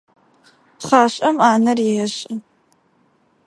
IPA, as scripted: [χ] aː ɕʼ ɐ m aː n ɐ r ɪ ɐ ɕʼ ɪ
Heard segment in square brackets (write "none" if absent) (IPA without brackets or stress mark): χ